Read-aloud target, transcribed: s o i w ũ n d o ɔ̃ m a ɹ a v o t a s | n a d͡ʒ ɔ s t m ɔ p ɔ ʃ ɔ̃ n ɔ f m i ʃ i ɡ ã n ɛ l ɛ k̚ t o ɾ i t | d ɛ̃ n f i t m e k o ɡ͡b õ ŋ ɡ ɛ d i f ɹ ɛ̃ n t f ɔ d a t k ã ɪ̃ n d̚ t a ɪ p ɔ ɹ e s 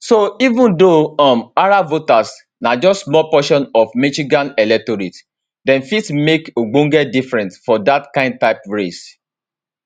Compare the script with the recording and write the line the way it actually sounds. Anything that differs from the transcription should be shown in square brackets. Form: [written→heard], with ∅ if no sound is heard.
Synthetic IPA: s o i [w→v] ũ n d o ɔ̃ m a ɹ a v o t a s | n a d͡ʒ ɔ s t m ɔ p ɔ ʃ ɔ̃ n ɔ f m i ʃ i ɡ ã n ɛ l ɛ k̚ t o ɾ i t | d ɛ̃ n f i t m e k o ɡ͡b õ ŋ ɡ ɛ d i f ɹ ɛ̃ n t f ɔ d a t k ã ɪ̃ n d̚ t a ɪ p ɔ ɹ e s